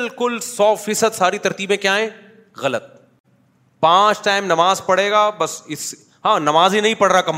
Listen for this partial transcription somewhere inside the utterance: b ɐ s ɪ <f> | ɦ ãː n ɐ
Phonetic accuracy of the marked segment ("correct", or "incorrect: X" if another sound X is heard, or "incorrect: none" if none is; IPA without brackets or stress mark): incorrect: s